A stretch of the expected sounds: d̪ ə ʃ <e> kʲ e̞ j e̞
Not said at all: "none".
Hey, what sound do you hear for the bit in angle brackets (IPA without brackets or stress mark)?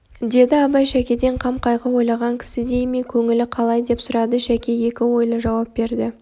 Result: æ